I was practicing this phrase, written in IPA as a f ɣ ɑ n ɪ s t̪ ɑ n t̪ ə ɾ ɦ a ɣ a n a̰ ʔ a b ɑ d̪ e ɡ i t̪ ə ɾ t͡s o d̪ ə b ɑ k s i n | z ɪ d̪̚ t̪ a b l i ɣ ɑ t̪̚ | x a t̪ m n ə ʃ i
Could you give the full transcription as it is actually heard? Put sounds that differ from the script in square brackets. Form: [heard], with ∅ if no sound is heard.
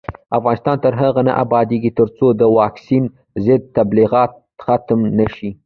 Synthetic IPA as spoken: a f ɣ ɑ n ɪ s t̪ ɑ n t̪ ə ɾ ɦ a ɣ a n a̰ ʔ a b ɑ d̪ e ɡ i t̪ ə ɾ t͡s o d̪ ə [w] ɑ k s i n | z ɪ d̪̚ t̪ a b l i ɣ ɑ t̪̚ | x a t̪ m n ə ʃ i

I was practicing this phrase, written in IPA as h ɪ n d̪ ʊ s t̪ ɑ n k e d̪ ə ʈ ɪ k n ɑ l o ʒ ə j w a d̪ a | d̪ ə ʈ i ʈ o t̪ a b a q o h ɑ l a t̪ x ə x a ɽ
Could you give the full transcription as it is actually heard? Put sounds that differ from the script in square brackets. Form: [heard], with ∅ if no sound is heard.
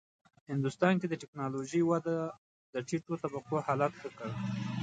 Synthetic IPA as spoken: h ɪ n d̪ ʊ s t̪ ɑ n k e d̪ ə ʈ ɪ k n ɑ l o ʒ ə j w a d̪ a | d̪ ə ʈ i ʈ o t̪ a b a q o h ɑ l a t̪ x ə [k] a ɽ

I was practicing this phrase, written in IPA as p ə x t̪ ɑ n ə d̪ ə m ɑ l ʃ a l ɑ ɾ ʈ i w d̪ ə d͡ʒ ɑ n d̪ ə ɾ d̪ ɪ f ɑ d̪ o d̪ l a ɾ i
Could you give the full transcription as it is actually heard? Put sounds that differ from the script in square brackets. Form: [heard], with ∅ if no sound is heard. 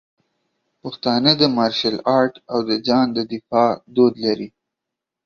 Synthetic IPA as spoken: p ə x t̪ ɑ n ə d̪ ə m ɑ [ɾ] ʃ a l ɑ ɾ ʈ [a] w d̪ ə d͡ʒ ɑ n d̪ ə [∅] d̪ ɪ f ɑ d̪ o d̪ l a ɾ i

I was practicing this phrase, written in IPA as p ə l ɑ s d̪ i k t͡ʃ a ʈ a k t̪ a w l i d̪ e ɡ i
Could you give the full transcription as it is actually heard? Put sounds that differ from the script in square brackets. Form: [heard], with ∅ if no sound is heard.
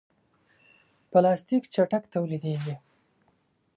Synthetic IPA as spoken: p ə l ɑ s [t̪] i k t͡ʃ a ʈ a k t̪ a w l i d̪ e ɡ i

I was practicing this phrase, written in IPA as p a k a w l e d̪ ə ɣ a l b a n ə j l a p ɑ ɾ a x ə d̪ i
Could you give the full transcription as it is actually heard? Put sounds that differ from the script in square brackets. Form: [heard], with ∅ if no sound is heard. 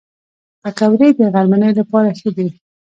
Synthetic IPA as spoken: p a k a w [ɾ] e d̪ ə ɣ a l [m] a n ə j l a p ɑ ɾ a x ə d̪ i

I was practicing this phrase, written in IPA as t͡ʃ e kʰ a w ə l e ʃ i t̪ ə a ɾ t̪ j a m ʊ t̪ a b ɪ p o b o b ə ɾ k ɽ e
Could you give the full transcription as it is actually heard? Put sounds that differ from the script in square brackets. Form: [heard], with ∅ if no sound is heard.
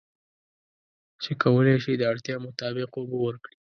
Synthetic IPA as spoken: t͡ʃ e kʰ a w ə l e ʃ i [d̪] ə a [ɽ] t̪ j [ɑ] m ʊ t̪ [ɑ] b ɪ [q] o b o [w] ə ɾ k ɽ [i]

